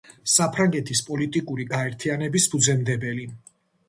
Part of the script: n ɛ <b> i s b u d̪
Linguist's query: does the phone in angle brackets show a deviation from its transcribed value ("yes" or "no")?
no